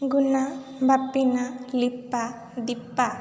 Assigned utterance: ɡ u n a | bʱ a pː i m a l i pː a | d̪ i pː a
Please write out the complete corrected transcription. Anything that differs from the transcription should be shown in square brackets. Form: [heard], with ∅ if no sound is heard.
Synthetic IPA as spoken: ɡ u n a | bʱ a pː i [n] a l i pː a | d̪ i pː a